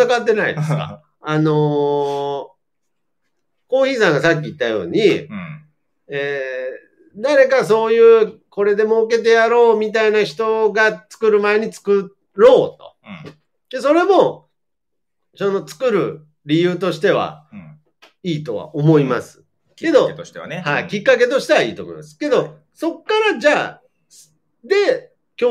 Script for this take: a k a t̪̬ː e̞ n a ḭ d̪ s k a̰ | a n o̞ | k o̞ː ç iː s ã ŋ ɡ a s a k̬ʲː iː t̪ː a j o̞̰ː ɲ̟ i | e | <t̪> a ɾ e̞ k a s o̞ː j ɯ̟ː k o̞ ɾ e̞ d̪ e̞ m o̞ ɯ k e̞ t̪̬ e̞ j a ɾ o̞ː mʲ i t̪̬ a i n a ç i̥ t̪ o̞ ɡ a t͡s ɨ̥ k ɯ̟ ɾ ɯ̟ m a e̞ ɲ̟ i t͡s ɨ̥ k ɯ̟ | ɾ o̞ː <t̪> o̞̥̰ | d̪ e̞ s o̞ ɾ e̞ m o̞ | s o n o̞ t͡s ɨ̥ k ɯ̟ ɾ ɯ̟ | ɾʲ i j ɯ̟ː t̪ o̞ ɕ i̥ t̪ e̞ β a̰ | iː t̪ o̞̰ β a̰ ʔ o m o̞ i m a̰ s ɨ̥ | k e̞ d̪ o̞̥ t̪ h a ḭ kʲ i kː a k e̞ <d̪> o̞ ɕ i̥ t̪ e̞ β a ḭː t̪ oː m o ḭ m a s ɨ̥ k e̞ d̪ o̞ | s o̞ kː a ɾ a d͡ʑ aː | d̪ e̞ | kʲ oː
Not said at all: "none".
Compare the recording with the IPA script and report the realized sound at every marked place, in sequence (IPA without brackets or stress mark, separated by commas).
d̪, t̪, t̪